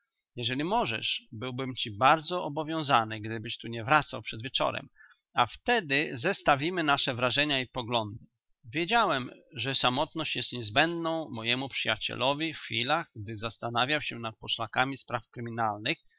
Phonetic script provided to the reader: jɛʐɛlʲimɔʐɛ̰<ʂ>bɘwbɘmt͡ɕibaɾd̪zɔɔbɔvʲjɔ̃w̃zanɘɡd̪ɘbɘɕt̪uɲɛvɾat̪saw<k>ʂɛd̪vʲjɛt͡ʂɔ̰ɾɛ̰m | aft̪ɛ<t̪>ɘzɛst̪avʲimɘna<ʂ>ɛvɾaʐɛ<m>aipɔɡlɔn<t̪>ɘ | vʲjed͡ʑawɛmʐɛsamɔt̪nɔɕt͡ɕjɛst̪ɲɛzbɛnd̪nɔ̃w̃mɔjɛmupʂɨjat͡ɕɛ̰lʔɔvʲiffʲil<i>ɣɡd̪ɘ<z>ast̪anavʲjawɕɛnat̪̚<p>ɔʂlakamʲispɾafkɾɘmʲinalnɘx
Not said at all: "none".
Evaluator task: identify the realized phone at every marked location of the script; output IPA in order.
ʂ, p, d̪, ʂ, ɲ, d̪, a, z, p

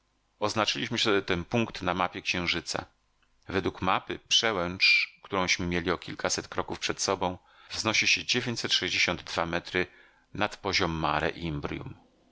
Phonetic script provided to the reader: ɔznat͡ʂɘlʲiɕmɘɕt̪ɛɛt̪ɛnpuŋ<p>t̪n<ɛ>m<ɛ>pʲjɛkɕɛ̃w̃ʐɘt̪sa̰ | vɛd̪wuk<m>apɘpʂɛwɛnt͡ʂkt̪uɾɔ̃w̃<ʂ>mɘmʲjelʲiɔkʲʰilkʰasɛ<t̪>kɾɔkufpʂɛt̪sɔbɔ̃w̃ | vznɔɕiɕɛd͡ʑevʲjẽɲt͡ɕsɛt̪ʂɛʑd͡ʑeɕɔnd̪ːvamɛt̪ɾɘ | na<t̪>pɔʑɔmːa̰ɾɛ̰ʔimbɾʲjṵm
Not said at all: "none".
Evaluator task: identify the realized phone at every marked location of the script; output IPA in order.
k, a, a, m, ɕ, t̪, t̪

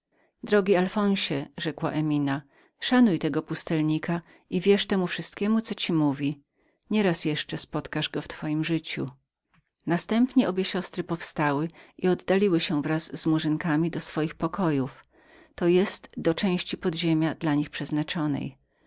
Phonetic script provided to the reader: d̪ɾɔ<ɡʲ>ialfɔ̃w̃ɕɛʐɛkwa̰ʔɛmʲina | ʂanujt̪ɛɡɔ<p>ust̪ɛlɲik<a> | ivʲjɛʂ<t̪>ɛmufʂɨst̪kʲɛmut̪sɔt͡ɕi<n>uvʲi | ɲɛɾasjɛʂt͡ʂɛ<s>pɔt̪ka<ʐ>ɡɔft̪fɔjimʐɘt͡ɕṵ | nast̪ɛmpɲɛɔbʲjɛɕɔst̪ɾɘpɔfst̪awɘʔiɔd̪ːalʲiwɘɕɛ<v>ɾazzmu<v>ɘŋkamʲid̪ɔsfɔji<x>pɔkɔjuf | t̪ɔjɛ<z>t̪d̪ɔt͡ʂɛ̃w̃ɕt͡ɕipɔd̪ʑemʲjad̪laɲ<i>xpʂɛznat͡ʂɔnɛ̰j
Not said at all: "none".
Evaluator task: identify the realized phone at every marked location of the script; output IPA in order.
ɡʲ, p, a, t̪, m, s, ʐ, v, ʐ, x, s, i

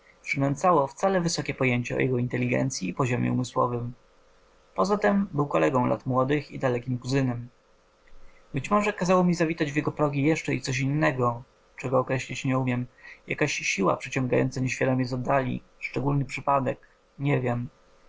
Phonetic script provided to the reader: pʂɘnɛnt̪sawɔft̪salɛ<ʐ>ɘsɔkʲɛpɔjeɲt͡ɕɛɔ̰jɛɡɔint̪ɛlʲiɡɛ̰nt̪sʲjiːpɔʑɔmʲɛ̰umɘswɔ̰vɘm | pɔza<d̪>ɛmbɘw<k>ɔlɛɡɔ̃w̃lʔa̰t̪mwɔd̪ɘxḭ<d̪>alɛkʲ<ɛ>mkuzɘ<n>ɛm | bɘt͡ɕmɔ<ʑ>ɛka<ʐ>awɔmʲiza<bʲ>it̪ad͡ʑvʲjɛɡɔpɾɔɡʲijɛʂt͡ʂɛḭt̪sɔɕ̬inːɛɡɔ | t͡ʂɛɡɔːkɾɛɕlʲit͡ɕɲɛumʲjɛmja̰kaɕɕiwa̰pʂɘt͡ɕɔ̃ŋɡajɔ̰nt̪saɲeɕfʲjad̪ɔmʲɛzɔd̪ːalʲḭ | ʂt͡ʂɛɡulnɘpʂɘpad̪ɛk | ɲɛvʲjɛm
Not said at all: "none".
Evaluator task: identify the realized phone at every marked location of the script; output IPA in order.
v, t̪, k, d̪, i, n, ʐ, z, vʲ

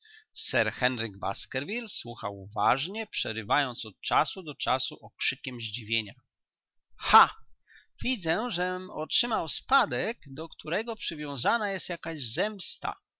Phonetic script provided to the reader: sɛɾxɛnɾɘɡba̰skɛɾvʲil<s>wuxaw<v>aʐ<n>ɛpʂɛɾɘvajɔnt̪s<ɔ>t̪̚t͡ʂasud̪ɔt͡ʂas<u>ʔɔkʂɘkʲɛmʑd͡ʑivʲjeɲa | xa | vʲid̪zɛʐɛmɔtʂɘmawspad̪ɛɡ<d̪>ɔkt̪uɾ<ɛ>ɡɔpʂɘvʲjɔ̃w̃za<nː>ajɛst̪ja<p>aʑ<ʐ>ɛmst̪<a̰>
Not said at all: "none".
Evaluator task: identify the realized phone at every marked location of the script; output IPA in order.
s, v, ɲ, ɔ, u, d̪, ɛ, n, k, z, a̰

